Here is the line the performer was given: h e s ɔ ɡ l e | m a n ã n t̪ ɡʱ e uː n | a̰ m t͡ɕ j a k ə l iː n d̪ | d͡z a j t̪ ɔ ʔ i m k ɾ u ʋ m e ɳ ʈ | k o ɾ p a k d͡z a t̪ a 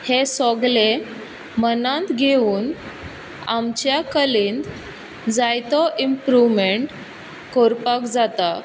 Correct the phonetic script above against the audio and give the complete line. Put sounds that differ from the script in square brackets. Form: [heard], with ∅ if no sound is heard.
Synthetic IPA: h e s ɔ ɡ l e | m [ə] n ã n t̪ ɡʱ e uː n | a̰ m t͡ɕ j a k ə l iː n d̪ | d͡z a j t̪ ɔ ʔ i m [p] ɾ u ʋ m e ɳ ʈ | k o ɾ p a k d͡z a t̪ a

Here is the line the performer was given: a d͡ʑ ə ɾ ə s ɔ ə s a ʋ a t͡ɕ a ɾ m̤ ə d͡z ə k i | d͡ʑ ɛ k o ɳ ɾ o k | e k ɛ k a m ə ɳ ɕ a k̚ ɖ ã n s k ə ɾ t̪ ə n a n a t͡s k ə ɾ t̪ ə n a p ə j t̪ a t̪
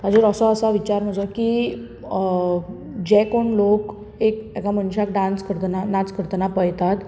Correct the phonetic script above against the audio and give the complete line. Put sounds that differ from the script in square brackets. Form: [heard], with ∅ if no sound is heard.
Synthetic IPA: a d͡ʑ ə ɾ ə s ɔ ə s a ʋ [i] t͡ɕ a ɾ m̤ ə d͡z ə k i | d͡ʑ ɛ k o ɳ [l] o k | e k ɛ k a m ə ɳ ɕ a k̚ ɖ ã n s k ə ɾ t̪ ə n a n a t͡s k ə ɾ t̪ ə n a p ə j t̪ a t̪

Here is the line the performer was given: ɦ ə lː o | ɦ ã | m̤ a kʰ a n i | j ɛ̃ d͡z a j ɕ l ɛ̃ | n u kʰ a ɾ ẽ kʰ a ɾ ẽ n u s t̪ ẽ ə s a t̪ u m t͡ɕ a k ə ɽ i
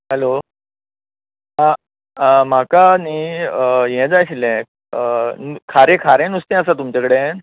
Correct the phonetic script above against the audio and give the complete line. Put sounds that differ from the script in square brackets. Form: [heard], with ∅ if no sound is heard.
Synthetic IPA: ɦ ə [l] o | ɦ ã | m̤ a [k] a n i | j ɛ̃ d͡z a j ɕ l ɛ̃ | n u kʰ a ɾ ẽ kʰ a ɾ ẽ n u s t̪ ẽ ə s a t̪ u m t͡ɕ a k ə ɽ [e]

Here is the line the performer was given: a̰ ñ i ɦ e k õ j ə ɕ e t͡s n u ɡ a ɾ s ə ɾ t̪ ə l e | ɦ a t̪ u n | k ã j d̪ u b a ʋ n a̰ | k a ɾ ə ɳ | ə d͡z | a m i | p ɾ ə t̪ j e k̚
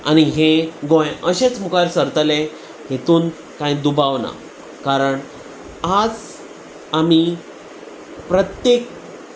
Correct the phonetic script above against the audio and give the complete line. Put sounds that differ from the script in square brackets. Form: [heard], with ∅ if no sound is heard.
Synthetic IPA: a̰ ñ i ɦ e [ɡ] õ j ə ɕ e t͡s [m] u [k] a ɾ s ə ɾ t̪ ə l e | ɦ [e] t̪ [uː] n | k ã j d̪ u b a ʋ n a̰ | k a ɾ ə ɳ | [a] d͡z | a m i | p ɾ ə t̪ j e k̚

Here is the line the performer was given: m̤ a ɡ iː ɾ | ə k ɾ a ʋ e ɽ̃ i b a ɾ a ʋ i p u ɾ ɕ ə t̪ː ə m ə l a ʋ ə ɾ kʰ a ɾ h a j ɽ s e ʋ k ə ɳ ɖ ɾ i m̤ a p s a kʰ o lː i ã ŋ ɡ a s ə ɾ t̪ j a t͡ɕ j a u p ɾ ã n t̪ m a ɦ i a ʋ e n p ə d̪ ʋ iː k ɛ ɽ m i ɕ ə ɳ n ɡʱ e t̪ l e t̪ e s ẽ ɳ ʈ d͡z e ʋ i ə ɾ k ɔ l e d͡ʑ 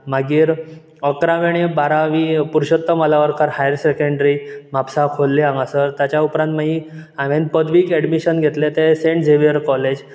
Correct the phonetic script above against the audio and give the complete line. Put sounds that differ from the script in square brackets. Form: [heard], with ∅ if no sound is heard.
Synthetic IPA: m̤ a ɡ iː ɾ | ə k ɾ a ʋ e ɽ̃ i b a ɾ a ʋ i p u ɾ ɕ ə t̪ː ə m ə l a ʋ ə ɾ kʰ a ɾ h a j [ɾ] s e [∅] k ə ɳ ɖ ɾ i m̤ a p s a kʰ o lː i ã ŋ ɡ a s ə ɾ t̪ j a t͡ɕ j a u p ɾ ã n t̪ m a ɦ i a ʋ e n p ə d̪ ʋ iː k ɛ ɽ m i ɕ ə [∅] n ɡʱ e t̪ l e t̪ e s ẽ ɳ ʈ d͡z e ʋ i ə ɾ k ɔ l e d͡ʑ

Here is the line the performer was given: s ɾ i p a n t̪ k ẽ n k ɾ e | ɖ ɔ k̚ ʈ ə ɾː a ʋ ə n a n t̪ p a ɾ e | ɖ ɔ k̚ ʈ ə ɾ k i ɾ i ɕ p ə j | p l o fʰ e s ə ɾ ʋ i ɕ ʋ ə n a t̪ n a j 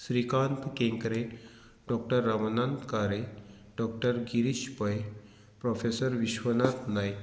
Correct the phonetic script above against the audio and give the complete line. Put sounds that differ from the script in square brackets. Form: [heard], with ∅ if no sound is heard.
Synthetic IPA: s ɾ i [k] a n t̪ k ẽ [ŋ] k ɾ e | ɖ ɔ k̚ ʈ ə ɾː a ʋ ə n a n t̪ [k] a ɾ e | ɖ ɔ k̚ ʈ ə ɾ [ɡ] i ɾ i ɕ p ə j | p [ɾ] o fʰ e s ə ɾ ʋ i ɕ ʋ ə n a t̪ n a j

